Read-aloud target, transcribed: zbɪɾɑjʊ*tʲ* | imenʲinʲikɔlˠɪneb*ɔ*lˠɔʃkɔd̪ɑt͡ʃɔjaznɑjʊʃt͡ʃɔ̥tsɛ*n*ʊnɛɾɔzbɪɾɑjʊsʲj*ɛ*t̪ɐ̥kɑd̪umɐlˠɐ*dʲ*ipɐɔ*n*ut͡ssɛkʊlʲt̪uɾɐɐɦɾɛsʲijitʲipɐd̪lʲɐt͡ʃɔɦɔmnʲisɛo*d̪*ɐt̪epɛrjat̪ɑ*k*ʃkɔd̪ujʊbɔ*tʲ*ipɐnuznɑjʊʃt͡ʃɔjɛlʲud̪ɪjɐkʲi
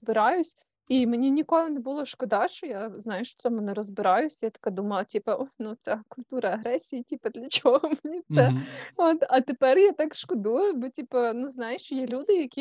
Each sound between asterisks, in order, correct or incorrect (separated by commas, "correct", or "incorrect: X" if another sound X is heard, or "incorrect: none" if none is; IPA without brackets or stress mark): incorrect: sʲ, incorrect: u, incorrect: m, incorrect: a, incorrect: tʲ, correct, incorrect: t̪, correct, correct